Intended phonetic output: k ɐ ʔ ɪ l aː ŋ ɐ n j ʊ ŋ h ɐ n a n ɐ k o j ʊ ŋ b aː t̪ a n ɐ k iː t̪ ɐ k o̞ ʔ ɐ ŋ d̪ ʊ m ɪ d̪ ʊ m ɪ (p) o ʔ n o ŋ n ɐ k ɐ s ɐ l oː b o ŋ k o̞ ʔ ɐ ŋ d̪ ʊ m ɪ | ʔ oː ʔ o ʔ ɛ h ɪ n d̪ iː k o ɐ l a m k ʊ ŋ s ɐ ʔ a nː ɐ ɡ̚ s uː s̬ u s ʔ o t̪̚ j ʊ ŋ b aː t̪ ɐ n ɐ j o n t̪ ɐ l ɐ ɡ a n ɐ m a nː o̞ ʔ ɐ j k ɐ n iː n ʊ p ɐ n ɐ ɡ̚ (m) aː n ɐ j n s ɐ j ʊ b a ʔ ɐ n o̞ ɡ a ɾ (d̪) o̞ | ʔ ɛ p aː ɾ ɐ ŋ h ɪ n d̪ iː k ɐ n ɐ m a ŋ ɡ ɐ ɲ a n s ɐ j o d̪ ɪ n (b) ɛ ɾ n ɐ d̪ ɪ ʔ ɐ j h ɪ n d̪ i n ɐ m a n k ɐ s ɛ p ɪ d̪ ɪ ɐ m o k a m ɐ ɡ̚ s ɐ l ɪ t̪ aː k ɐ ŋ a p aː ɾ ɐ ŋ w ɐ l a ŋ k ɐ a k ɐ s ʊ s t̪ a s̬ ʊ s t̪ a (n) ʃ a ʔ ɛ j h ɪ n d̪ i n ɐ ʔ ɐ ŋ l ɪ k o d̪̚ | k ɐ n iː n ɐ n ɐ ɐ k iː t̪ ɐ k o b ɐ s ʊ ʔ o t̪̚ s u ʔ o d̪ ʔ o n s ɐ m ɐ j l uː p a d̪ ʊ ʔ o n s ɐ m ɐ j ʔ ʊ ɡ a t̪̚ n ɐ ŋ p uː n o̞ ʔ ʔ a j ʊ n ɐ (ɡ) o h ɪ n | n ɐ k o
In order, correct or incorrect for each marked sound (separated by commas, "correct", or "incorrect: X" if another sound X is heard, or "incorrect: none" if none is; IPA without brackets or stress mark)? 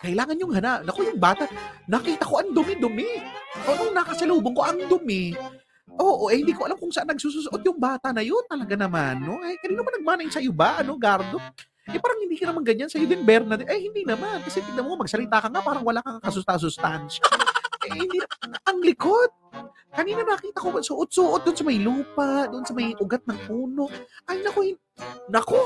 incorrect: ʔ, correct, correct, correct, correct, incorrect: k